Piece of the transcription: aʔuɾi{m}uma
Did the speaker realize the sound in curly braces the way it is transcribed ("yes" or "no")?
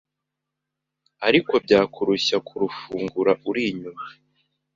no